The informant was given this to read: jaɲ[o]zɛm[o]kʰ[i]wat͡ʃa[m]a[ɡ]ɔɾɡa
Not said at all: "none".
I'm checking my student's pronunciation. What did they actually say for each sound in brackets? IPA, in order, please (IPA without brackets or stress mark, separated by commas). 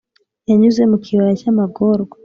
u, u, i, m, ɡ